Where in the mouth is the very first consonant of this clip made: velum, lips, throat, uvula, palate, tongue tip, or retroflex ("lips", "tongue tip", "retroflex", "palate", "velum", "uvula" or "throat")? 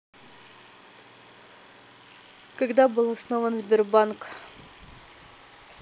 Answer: velum